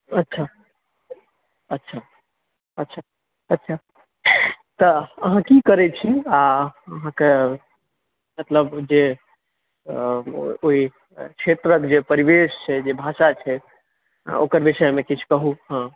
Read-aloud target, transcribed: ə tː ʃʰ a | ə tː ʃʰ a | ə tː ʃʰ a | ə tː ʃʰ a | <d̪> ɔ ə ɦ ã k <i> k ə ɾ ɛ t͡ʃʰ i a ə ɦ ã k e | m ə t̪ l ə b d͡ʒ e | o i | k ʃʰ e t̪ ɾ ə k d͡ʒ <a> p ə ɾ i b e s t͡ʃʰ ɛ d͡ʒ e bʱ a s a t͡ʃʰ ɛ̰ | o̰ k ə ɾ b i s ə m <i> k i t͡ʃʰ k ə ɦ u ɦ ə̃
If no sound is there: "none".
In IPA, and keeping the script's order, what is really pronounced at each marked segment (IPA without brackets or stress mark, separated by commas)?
t̪, i, e, e